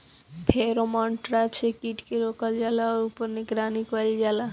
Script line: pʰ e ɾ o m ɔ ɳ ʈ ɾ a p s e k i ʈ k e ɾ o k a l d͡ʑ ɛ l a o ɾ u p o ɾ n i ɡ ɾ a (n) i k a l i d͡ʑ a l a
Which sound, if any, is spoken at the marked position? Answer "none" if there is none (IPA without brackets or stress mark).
n